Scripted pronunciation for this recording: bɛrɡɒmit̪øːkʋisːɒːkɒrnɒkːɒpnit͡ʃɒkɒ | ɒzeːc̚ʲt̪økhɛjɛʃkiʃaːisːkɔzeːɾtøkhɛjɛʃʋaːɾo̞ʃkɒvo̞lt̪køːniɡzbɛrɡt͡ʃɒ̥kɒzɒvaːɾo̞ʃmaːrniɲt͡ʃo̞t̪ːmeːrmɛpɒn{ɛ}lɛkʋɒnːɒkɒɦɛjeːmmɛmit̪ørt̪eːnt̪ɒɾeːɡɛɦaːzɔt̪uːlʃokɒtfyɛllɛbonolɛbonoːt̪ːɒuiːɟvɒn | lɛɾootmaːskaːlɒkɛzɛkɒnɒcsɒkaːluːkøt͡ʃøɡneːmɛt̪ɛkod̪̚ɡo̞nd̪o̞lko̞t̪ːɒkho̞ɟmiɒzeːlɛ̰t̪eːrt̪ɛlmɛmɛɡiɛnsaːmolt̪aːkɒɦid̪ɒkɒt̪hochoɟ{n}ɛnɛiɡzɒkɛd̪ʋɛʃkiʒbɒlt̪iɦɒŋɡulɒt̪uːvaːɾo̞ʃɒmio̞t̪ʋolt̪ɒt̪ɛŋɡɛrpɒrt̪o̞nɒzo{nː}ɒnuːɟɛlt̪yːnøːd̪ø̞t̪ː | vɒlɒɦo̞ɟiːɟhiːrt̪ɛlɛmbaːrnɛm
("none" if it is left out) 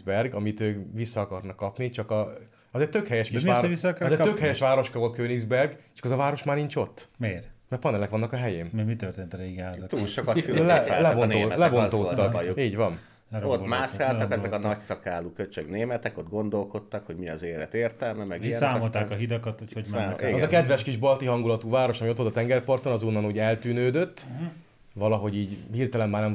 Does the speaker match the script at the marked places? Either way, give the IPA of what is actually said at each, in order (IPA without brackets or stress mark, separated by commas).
ɛ, m, nː